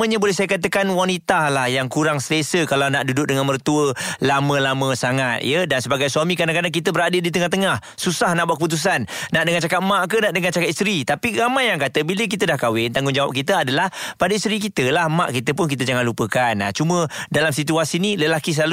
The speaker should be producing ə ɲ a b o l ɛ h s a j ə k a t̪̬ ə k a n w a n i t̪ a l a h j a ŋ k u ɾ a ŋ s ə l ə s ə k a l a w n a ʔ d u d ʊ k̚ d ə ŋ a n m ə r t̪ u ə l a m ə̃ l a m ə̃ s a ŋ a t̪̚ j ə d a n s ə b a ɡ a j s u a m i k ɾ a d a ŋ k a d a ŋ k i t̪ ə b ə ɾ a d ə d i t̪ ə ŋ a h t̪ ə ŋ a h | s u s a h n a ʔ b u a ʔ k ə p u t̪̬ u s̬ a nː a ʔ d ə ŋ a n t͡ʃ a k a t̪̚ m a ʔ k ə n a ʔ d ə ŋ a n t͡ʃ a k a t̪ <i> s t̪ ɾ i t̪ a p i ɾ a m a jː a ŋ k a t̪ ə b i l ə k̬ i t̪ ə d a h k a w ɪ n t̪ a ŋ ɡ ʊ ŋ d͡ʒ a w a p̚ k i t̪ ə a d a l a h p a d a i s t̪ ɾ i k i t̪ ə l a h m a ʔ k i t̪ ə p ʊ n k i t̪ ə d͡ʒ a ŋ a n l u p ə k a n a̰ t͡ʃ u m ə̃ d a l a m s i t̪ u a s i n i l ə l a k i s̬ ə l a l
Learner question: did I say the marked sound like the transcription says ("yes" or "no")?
yes